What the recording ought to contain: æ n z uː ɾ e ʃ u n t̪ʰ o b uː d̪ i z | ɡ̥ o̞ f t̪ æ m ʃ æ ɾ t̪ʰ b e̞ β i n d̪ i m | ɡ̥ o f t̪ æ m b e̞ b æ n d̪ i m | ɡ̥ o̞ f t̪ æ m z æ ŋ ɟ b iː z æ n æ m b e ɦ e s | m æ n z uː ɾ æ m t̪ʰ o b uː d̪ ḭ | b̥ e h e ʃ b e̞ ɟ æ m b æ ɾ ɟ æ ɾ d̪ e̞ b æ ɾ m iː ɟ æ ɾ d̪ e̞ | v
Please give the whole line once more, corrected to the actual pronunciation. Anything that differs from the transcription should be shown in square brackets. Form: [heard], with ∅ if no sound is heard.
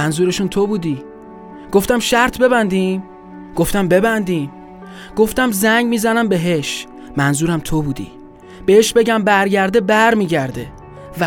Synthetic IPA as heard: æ n z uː ɾ e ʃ u n t̪ʰ o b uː d̪ i [∅] | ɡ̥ o̞ f t̪ æ m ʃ æ ɾ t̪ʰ b e̞ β [æ] n d̪ i m | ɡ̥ o f t̪ æ m b e̞ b æ n d̪ i m | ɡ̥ o̞ f t̪ æ m z æ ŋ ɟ [m] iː z æ n æ m b e ɦ e [ʃ] | m æ n z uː ɾ æ m t̪ʰ o b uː d̪ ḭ | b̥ e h e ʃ b e̞ ɟ æ m b æ ɾ ɟ æ ɾ d̪ e̞ b æ ɾ m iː ɟ æ ɾ d̪ e̞ | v